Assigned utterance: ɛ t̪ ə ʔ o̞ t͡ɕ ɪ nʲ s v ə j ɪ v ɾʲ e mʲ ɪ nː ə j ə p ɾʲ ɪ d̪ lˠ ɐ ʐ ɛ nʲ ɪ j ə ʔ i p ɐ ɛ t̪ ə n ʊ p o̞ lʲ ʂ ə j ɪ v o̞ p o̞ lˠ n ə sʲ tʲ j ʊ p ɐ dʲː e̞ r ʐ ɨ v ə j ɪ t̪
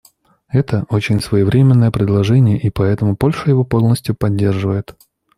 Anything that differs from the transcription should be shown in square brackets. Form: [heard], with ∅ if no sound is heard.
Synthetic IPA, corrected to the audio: ɛ t̪ ə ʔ o̞ t͡ɕ ɪ nʲ s v ə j ɪ v ɾʲ e mʲ ɪ nː ə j ə p ɾʲ ɪ d̪ lˠ ɐ ʐ ɛ nʲ ɪ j ə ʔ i p ɐ ɛ t̪ ə [m] ʊ p o̞ lʲ ʂ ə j ɪ v o̞ p o̞ lˠ n ə sʲ tʲ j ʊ p ɐ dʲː e̞ r ʐ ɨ v ə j ɪ t̪